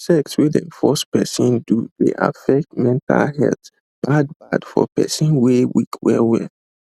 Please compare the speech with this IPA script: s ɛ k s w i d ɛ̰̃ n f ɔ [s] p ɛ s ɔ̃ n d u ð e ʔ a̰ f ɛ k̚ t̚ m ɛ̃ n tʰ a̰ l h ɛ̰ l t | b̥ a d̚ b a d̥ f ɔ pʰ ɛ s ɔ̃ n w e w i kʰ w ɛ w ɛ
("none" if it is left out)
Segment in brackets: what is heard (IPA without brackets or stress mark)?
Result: s